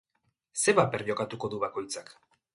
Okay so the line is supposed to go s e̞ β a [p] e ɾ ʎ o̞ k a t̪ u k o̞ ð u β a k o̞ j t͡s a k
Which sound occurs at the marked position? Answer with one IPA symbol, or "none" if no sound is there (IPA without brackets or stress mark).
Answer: p